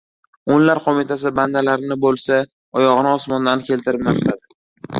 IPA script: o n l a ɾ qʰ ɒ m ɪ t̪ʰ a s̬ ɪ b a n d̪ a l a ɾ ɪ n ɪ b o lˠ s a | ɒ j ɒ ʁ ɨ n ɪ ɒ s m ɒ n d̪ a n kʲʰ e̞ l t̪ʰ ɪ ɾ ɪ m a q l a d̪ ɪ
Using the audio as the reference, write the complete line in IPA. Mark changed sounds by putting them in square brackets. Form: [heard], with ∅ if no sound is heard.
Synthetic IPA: o n l a ɾ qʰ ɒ m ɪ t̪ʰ a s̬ ɪ b a n d̪ a l a ɾ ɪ n ɪ b o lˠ s a | ɒ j ɒ ʁ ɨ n ɪ ɒ s m ɒ n d̪ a n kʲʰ e̞ l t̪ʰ ɪ ɾ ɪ m a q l a d̪ ɪ